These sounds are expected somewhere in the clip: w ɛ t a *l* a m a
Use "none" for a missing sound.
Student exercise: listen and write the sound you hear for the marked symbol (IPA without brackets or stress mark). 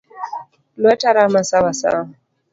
ɾ